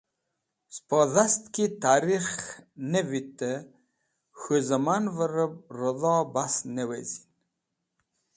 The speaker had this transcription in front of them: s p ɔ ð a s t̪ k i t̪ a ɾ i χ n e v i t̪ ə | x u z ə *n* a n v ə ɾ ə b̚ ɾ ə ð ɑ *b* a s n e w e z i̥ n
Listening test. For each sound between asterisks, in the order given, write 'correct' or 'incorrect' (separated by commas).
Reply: incorrect, correct